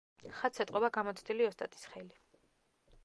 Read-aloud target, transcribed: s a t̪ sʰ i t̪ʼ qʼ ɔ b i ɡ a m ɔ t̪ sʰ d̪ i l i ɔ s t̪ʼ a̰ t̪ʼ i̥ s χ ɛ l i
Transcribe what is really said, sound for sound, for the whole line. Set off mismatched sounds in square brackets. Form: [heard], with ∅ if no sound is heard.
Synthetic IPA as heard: [χ] a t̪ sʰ [ɛ] t̪ʼ qʼ ɔ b [a] ɡ a m ɔ t̪ sʰ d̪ i l i ɔ s t̪ʼ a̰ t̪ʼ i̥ s χ ɛ l i